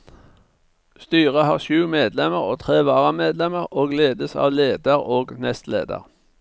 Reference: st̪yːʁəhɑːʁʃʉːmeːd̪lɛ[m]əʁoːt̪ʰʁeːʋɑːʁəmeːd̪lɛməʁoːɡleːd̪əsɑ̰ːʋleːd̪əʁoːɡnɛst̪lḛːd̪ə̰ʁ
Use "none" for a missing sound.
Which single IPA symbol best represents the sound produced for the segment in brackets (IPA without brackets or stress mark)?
m